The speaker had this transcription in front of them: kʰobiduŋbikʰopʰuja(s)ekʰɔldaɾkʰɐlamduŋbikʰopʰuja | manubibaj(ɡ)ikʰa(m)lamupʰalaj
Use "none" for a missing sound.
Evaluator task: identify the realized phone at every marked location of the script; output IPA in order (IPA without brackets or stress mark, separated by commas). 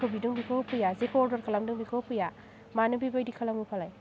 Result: z, d, none